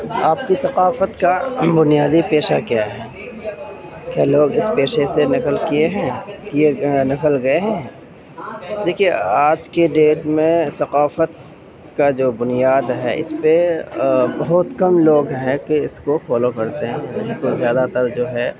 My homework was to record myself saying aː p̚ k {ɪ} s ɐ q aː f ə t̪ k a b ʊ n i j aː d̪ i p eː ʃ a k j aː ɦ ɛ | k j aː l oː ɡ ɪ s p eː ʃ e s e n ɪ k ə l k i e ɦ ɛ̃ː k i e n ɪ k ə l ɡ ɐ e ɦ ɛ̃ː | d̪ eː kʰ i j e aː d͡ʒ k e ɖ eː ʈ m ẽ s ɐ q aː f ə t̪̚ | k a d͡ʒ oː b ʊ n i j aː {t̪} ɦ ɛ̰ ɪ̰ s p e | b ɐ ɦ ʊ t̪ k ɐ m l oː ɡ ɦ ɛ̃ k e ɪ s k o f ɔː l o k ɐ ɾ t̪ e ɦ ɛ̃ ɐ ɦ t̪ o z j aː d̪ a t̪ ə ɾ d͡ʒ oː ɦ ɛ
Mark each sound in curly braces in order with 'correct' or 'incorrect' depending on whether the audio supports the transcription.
incorrect: i, incorrect: d̪

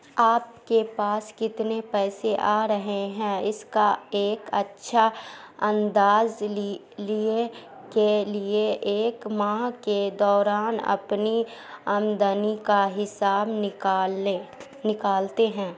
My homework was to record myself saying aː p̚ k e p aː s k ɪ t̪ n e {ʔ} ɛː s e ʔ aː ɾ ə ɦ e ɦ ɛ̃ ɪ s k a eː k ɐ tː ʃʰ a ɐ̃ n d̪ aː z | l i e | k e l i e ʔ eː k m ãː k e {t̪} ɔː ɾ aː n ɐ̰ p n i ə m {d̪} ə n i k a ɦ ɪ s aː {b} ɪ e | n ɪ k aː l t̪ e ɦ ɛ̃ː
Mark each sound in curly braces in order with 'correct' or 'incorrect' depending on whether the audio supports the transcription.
incorrect: p, incorrect: d̪, correct, correct

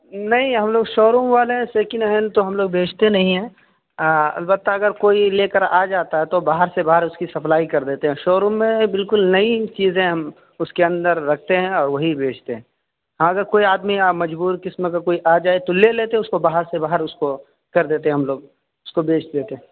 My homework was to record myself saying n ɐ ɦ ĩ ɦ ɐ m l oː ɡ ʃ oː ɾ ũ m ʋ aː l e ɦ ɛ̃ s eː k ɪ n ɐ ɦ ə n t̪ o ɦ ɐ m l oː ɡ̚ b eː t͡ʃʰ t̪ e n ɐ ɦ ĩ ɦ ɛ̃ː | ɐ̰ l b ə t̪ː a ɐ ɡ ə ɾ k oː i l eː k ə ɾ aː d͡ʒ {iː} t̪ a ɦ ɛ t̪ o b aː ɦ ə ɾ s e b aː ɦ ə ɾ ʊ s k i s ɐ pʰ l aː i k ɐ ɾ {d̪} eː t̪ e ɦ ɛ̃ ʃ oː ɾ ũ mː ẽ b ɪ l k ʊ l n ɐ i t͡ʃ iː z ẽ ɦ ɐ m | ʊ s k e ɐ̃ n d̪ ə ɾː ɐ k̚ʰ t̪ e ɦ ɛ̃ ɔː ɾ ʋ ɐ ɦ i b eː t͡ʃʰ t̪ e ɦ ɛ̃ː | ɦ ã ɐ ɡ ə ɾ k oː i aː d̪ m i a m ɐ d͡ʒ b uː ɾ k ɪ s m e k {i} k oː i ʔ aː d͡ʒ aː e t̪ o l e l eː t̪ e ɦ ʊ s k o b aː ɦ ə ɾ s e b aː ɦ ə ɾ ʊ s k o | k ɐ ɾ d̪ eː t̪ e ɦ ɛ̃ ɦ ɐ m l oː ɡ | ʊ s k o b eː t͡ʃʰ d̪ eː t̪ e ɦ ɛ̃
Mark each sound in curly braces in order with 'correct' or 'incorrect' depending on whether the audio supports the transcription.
incorrect: aː, correct, incorrect: a

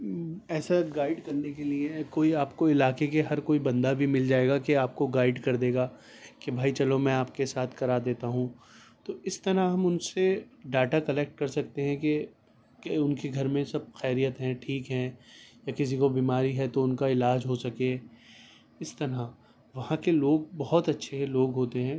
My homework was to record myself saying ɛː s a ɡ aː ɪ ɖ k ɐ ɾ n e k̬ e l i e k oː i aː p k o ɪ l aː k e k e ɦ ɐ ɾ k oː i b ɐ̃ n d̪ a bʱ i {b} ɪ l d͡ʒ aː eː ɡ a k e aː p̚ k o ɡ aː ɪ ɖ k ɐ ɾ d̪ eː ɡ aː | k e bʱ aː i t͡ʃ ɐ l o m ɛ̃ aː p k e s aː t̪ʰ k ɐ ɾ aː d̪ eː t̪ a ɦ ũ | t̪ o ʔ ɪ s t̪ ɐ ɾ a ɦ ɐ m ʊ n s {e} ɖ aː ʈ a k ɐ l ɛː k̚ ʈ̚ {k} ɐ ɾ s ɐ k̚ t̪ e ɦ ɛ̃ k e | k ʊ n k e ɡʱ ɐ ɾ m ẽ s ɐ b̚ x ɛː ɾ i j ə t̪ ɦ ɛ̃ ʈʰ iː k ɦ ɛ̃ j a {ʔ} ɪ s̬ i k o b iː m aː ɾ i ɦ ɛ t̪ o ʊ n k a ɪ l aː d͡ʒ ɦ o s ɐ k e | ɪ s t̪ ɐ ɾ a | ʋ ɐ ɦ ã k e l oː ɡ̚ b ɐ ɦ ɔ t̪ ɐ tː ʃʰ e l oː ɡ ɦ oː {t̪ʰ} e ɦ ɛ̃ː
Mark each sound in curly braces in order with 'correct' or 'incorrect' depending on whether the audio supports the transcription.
incorrect: m, correct, correct, incorrect: k, incorrect: t̪

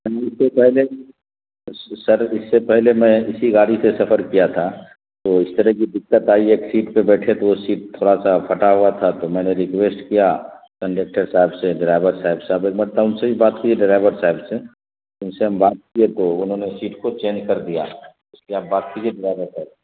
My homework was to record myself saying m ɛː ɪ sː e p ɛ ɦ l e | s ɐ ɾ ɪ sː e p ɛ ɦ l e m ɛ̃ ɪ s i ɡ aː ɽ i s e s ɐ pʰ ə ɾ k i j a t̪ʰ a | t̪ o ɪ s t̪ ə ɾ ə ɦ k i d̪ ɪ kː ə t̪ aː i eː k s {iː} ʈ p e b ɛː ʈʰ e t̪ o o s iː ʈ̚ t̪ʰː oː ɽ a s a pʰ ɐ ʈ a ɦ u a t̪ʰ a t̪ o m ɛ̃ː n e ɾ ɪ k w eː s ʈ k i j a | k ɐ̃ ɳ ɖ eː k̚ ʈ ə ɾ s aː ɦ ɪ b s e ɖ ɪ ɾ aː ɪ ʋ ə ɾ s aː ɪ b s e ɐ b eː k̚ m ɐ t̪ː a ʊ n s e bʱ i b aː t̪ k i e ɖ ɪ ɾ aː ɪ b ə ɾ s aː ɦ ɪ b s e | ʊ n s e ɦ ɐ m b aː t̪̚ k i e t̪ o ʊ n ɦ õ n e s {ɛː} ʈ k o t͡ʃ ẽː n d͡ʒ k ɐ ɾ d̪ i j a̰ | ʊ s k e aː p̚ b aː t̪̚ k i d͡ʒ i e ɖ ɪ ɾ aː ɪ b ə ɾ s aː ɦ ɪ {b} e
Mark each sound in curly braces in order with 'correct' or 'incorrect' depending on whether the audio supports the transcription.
correct, incorrect: iː, correct

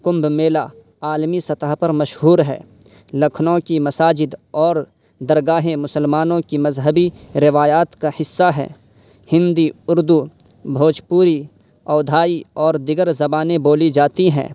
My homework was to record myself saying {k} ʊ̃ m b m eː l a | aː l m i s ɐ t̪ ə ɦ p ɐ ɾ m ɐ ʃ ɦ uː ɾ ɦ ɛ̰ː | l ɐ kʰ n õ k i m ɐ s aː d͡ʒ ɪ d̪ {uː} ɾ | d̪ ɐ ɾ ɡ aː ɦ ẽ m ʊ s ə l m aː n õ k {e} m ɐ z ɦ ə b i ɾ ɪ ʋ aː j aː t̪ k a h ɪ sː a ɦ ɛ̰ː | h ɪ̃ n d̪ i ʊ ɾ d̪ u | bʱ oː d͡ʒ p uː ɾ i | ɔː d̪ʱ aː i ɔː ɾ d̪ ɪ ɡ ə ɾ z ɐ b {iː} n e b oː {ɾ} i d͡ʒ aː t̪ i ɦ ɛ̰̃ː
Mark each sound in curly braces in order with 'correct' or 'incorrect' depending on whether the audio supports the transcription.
correct, incorrect: ɔː, incorrect: i, incorrect: aː, incorrect: l

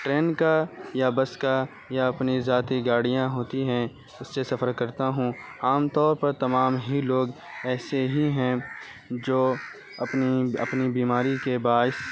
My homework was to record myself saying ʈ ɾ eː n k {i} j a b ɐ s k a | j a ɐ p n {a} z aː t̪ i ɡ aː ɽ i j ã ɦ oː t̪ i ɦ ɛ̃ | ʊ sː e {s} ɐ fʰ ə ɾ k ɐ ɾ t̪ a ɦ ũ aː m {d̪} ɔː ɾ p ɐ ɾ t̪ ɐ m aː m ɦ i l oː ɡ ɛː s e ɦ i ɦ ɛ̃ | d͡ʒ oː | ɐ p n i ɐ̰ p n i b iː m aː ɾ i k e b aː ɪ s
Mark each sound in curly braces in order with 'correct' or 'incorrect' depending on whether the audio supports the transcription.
incorrect: a, incorrect: i, correct, incorrect: t̪

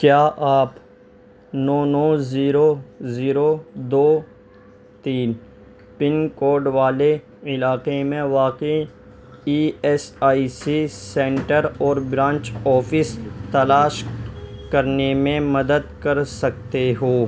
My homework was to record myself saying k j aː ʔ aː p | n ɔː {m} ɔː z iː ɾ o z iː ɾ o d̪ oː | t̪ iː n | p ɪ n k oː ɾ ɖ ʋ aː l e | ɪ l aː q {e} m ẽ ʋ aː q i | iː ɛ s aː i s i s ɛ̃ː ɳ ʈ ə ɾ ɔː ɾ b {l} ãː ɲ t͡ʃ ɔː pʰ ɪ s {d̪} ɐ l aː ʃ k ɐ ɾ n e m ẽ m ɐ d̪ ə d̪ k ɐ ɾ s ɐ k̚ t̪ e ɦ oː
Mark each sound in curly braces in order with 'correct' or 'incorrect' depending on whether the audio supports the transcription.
incorrect: n, correct, incorrect: ɾ, incorrect: t̪

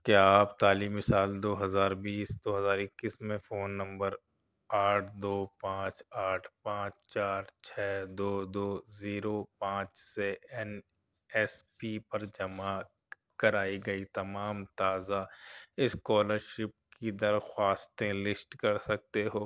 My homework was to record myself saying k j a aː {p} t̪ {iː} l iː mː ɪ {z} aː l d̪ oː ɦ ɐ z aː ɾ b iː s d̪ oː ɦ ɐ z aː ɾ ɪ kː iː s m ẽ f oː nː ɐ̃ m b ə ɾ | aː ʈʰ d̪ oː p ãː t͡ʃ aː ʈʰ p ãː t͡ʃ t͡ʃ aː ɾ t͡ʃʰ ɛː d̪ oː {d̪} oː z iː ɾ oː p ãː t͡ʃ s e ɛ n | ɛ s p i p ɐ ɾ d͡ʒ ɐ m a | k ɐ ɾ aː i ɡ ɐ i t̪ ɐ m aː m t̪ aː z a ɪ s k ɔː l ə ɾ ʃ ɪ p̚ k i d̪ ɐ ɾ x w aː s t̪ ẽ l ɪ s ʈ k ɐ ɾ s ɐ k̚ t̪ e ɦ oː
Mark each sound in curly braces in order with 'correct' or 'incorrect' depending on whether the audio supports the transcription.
correct, incorrect: aː, incorrect: s, correct

